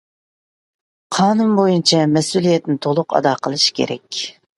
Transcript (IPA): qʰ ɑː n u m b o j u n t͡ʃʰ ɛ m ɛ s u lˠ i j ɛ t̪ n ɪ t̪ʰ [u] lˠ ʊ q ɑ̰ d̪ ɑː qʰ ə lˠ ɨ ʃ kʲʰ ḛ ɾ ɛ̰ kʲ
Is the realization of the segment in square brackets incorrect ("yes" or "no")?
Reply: yes